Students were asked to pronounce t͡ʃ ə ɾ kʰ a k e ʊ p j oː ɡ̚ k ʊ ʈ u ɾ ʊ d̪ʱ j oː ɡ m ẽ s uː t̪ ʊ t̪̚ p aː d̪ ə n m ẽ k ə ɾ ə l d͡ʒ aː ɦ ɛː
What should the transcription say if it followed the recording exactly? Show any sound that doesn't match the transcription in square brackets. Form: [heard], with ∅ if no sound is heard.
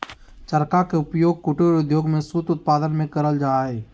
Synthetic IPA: t͡ʃ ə ɾ [k] a k e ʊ p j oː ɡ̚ k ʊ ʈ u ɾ ʊ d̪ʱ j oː ɡ m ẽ s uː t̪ ʊ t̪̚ p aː d̪ ə n m ẽ k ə ɾ ə l d͡ʒ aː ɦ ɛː